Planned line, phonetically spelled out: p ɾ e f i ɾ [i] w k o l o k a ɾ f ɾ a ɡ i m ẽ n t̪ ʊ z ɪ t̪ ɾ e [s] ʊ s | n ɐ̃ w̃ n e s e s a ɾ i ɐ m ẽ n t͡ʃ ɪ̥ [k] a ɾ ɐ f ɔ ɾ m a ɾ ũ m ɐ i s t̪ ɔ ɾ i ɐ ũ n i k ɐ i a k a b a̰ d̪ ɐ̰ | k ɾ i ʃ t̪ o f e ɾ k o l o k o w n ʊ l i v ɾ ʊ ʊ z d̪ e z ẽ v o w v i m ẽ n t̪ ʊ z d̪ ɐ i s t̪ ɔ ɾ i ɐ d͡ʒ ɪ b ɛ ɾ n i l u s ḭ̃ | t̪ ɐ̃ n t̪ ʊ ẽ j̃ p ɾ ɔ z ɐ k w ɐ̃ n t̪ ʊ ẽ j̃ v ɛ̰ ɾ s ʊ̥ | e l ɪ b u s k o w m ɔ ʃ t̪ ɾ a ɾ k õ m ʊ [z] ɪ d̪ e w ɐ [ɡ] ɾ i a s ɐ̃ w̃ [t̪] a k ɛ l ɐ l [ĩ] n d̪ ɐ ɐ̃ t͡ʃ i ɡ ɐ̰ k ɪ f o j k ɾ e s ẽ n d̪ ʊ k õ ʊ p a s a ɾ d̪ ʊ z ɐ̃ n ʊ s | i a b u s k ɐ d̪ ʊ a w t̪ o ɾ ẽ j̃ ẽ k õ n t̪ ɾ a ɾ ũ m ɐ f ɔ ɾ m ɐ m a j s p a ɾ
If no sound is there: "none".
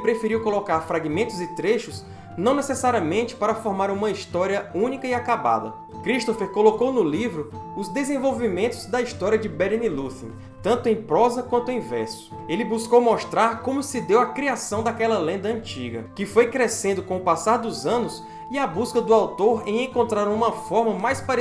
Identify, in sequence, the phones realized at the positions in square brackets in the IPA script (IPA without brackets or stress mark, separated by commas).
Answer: i, ʃ, p, s, k, d̪, ẽ